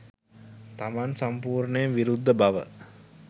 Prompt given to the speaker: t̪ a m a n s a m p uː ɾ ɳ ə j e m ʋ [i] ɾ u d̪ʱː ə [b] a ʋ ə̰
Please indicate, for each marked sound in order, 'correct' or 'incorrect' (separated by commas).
correct, correct